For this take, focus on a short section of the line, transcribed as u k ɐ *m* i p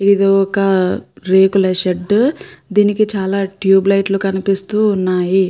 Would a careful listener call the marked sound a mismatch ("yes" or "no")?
yes